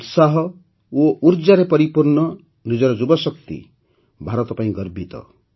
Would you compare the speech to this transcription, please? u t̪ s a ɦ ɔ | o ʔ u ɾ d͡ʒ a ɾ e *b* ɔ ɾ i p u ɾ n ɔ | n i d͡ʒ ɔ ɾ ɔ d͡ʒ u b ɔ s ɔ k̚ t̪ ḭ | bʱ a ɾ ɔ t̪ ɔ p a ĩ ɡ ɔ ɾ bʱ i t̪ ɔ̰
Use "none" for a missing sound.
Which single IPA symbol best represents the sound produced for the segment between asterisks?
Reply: p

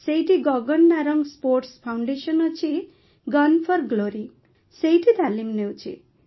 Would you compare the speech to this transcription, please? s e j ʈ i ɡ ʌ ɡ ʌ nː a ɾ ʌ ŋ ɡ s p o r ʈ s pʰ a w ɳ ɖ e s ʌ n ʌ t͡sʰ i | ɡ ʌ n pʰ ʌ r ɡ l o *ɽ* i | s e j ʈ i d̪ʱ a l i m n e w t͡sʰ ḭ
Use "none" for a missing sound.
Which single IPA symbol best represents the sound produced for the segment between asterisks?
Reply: ɾ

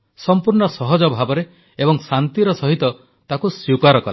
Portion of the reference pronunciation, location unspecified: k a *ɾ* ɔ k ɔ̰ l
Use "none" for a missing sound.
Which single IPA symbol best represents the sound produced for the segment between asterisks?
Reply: ɾ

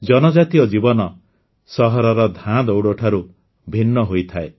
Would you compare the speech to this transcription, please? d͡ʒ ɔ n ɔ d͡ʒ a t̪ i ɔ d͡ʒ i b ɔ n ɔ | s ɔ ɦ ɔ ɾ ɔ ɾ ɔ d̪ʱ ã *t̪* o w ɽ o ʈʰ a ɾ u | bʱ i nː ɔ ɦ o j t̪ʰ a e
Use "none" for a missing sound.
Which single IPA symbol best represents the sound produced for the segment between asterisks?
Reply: d̪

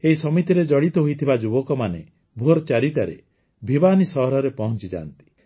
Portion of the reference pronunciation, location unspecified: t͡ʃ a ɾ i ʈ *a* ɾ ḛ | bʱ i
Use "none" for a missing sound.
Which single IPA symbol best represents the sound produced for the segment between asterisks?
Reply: a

